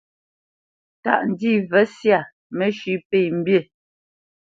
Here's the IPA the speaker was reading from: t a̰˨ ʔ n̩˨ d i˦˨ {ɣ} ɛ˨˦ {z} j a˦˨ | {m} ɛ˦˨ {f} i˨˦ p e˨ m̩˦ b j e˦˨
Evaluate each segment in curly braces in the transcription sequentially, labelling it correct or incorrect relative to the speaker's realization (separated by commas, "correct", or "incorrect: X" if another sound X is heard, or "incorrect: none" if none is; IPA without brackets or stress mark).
incorrect: v, incorrect: s, correct, incorrect: ʃ